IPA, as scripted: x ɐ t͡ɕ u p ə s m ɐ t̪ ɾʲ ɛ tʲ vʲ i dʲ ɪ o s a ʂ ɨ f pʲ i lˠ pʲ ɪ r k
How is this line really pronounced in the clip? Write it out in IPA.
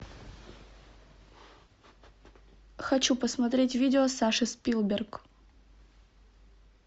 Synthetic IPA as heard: x ɐ t͡ɕ u p ə s m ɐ t̪ ɾʲ e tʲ vʲ i dʲ ɪ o s a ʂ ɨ s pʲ i lˠ bʲ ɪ r k